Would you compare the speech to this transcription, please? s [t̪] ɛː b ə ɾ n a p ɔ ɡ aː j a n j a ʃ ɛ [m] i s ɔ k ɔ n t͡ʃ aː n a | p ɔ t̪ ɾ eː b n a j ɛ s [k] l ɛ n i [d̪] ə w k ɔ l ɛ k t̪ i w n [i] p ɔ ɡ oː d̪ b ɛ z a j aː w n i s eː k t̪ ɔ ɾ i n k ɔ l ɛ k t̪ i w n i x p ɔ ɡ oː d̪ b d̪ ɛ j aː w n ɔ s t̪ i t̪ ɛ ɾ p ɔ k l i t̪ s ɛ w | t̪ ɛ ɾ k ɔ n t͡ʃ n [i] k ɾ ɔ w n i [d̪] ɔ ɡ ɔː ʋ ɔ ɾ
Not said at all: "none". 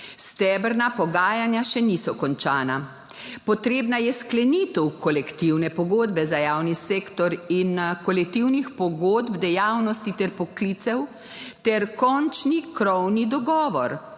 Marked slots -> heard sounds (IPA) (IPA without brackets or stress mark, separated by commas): t̪, n, k, t̪, ɛ, i, d̪